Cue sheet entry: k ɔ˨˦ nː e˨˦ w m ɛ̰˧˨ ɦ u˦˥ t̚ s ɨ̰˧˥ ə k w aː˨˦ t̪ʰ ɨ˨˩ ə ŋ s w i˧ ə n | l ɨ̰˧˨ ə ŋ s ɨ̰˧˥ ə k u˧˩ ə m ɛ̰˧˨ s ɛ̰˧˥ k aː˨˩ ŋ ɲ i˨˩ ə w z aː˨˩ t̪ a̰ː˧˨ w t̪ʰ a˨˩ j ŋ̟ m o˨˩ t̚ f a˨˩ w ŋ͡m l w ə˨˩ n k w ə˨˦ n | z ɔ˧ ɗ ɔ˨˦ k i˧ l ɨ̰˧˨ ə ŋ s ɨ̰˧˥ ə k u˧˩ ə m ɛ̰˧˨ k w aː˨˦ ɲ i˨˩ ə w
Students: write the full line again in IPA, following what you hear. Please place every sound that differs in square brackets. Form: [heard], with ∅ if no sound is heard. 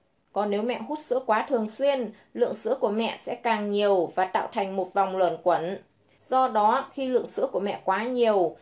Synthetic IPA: k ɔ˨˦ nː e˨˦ w m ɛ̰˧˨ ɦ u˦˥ t̚ s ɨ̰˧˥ ə k w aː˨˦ t̪ʰ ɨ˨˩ ə ŋ s w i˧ ə n | l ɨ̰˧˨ ə ŋ s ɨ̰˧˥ ə k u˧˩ ə m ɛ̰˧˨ s ɛ̰˧˥ k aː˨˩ ŋ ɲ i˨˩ ə w [v] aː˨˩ t̪ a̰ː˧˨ w t̪ʰ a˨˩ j ŋ̟ m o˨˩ t̚ [v] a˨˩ w ŋ͡m l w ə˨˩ n k w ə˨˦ n | z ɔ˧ ɗ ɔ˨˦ [x] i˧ l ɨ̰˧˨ ə ŋ s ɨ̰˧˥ ə k u˧˩ ə m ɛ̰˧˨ k w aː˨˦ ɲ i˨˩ ə w

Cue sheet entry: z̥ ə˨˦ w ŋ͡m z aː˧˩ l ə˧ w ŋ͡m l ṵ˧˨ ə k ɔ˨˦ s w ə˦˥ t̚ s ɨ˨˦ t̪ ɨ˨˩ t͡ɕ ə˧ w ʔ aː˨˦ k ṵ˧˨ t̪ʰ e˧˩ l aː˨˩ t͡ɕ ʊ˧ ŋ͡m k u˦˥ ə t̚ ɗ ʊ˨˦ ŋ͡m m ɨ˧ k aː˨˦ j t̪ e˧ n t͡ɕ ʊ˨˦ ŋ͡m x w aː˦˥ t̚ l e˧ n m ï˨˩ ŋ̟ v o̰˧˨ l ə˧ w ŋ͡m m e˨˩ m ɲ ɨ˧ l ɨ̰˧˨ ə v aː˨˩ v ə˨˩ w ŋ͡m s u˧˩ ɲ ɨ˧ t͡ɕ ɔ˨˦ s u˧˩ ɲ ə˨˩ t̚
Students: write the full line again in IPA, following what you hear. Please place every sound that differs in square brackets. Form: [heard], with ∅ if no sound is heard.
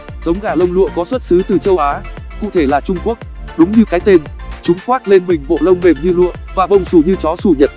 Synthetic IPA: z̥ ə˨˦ w ŋ͡m [ɣ] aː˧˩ l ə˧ w ŋ͡m l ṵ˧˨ ə k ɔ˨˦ s w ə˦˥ t̚ s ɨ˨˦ t̪ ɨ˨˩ t͡ɕ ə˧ w ʔ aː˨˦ k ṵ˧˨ t̪ʰ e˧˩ l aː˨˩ t͡ɕ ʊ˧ ŋ͡m k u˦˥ ə [k̚] ɗ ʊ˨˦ ŋ͡m [ɲ] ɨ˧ k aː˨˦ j t̪ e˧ n t͡ɕ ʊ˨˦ ŋ͡m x w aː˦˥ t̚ l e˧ n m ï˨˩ ŋ̟ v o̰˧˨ l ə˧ w ŋ͡m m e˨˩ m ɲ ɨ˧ l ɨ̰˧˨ ə v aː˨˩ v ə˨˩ w ŋ͡m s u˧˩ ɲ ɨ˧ t͡ɕ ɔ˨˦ s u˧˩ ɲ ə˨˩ t̚

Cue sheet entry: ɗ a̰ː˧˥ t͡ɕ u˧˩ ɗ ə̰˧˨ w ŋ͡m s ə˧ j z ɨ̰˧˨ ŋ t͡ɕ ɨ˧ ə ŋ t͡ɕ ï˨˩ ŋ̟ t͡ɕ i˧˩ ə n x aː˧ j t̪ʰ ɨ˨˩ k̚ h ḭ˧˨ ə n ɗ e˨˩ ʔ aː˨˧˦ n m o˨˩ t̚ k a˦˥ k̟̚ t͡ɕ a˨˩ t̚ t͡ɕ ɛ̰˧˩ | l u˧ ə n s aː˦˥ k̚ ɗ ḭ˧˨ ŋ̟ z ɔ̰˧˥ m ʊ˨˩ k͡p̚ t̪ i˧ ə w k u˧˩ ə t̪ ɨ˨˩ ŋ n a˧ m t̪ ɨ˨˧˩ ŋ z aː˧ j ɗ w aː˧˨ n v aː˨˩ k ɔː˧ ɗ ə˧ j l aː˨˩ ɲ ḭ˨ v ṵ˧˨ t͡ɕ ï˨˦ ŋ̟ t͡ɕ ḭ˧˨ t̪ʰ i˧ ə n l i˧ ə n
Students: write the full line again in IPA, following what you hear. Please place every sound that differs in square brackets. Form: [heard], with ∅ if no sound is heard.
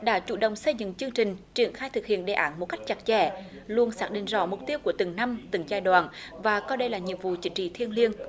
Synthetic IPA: ɗ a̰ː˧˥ t͡ɕ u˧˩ ɗ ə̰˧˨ w ŋ͡m s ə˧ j z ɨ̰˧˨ ŋ t͡ɕ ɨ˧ ə ŋ t͡ɕ ï˨˩ ŋ̟ t͡ɕ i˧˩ ə n x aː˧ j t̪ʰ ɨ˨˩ k̚ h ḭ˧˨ ə n ɗ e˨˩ ʔ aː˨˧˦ n m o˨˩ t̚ k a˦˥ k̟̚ t͡ɕ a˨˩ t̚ t͡ɕ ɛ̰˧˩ | l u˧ ə n s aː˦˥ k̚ ɗ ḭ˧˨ ŋ̟ z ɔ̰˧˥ m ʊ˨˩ k͡p̚ t̪ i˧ ə w k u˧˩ ə t̪ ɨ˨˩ ŋ n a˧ m t̪ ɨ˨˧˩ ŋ z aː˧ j ɗ w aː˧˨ n v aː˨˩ k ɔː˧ ɗ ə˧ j l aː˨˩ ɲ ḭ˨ v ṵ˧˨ t͡ɕ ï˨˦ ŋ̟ t͡ɕ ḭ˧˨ t̪ʰ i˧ ə n l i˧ ə n

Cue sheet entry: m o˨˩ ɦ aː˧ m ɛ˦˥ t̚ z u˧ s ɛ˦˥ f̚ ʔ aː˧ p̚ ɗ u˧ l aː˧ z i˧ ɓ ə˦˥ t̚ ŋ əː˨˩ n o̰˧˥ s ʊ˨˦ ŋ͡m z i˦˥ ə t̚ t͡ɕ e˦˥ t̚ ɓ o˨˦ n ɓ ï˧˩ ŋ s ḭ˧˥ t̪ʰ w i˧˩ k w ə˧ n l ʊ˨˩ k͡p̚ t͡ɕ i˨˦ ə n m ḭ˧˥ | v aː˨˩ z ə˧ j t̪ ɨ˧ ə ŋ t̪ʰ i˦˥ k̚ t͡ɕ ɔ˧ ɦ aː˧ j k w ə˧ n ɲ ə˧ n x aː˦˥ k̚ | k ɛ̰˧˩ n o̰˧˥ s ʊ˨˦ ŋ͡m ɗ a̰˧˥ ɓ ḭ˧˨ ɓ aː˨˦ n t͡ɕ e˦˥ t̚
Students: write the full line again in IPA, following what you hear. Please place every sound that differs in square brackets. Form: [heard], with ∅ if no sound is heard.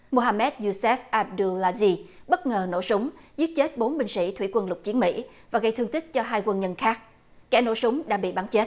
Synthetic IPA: m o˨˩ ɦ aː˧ m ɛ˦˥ t̚ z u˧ s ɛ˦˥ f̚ ʔ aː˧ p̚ ɗ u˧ l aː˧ z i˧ ɓ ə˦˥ t̚ ŋ əː˨˩ n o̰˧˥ s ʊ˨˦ ŋ͡m z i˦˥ ə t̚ t͡ɕ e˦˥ t̚ ɓ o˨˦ n ɓ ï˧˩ ŋ s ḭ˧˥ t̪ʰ w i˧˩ k w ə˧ n l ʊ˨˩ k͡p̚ t͡ɕ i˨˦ ə n m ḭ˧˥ | v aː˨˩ [ɣ] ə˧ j t̪ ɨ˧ ə ŋ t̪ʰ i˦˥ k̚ t͡ɕ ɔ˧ ɦ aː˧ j k w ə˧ n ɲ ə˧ n x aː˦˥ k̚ | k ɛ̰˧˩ n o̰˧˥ s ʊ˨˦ ŋ͡m ɗ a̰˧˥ ɓ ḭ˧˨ ɓ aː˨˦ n t͡ɕ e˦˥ t̚

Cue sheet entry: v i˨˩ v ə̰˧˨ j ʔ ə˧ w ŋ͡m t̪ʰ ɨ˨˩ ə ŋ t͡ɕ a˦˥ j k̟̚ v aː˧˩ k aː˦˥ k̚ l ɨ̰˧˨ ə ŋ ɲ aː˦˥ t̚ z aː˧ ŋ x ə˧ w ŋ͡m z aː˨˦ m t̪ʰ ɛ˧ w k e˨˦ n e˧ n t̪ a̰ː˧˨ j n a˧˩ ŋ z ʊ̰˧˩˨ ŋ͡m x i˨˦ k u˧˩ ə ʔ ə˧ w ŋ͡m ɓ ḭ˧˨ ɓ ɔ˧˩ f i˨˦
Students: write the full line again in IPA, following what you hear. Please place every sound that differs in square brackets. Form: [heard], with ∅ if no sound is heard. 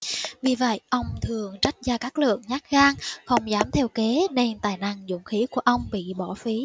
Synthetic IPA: v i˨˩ v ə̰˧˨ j ʔ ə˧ w ŋ͡m t̪ʰ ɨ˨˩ ə ŋ t͡ɕ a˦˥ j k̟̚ [z] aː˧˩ k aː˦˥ k̚ l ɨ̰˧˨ ə ŋ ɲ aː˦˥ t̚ [ɣ] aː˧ ŋ x ə˧ w ŋ͡m z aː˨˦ m t̪ʰ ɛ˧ w k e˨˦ n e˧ n t̪ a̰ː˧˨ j n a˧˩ ŋ z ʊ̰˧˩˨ ŋ͡m x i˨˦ k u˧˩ ə ʔ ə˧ w ŋ͡m ɓ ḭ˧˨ ɓ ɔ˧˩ f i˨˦

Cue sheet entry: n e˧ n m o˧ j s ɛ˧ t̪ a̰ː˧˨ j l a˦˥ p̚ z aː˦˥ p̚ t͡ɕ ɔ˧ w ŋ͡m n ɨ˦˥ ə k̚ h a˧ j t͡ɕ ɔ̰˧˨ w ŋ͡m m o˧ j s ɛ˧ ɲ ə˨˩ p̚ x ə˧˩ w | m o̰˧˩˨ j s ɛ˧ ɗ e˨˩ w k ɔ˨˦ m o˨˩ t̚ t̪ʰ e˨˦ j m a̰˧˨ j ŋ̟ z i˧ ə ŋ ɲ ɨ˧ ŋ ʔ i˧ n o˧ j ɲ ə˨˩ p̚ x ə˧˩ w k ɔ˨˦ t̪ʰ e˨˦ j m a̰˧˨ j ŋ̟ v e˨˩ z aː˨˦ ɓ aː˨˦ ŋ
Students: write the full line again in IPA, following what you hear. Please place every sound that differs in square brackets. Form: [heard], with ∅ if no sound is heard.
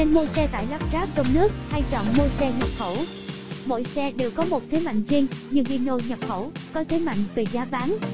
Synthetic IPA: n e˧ n m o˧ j s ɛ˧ t̪ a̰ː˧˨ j l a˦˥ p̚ z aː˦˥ p̚ t͡ɕ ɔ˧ w ŋ͡m n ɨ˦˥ ə k̚ h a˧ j t͡ɕ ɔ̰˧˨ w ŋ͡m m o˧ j s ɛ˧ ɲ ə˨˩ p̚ x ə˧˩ w | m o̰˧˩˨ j s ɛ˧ ɗ e˨˩ w k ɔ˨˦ m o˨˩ t̚ t̪ʰ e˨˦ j m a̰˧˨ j ŋ̟ z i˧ ə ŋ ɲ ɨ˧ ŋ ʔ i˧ n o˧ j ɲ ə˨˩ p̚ x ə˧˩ w k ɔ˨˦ t̪ʰ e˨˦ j m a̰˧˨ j ŋ̟ v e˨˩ z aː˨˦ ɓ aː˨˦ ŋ

